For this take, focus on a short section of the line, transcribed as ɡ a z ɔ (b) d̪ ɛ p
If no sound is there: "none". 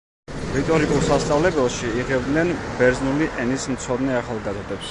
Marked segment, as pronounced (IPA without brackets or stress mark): none